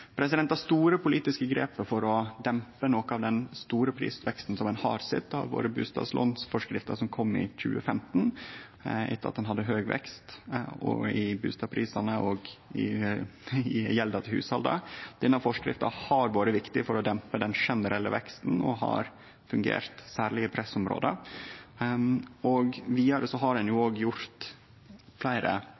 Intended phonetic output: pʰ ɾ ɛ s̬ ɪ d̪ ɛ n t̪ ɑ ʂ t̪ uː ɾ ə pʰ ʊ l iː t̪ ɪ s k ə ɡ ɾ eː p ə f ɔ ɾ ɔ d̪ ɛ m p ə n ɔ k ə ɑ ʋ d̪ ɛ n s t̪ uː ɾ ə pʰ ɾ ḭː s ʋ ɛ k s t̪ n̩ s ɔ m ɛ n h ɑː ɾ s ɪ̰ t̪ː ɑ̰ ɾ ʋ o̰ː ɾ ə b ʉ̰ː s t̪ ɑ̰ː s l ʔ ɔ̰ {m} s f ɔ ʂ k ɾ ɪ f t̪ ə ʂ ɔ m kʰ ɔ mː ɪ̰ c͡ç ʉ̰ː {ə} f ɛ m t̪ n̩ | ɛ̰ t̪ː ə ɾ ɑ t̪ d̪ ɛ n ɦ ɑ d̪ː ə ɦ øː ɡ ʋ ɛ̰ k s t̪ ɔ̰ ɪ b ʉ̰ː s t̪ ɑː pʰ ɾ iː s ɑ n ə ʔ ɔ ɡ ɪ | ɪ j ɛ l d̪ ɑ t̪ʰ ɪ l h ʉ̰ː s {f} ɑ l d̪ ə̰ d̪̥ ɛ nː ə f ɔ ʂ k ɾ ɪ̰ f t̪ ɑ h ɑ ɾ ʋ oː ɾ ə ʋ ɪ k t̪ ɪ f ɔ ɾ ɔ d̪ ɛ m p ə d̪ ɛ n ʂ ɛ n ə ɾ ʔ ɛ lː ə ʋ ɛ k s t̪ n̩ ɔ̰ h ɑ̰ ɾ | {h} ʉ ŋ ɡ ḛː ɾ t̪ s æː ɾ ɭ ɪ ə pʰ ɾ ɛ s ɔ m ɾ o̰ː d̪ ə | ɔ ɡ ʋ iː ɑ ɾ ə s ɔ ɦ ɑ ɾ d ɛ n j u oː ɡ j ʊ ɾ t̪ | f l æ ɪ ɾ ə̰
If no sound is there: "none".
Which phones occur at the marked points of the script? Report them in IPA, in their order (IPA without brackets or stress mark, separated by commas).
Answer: n, ə, h, f